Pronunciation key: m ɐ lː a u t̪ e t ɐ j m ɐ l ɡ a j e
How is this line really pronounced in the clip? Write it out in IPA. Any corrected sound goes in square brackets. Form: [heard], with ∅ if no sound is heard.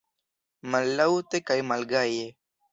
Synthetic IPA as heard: m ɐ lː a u t̪ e [k] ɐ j m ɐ l ɡ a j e